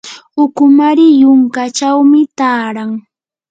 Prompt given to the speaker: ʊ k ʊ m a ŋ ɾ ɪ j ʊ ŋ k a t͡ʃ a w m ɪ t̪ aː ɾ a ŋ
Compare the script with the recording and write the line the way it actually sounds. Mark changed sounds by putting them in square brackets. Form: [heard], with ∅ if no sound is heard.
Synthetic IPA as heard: ʊ k ʊ m a [∅] ɾ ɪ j ʊ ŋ k a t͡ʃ a w m ɪ t̪ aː ɾ a ŋ